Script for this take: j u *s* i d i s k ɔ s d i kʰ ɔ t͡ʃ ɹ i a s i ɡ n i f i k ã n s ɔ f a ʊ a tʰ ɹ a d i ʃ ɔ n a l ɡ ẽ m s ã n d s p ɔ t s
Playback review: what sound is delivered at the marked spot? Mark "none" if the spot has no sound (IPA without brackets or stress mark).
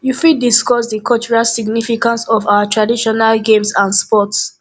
f